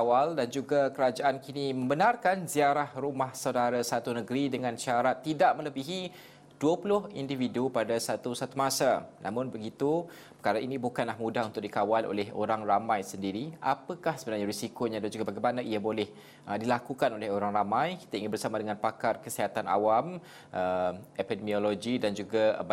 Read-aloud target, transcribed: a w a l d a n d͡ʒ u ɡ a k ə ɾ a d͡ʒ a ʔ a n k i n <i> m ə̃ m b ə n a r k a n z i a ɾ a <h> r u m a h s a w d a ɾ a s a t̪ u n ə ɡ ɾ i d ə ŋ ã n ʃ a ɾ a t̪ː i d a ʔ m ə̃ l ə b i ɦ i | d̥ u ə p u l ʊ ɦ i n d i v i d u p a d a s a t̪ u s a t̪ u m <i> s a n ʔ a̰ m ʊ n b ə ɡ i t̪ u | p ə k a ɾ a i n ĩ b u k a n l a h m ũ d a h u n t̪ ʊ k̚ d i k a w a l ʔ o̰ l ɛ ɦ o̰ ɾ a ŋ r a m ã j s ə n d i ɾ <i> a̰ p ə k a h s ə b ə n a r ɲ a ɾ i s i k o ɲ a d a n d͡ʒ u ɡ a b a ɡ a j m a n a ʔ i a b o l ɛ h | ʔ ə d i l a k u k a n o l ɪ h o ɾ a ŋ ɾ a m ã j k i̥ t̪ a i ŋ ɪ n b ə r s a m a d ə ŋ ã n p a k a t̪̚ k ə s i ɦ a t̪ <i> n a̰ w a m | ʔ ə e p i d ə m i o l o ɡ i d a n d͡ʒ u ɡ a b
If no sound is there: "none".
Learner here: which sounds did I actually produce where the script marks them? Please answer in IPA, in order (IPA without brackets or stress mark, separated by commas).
i, h, a, i, a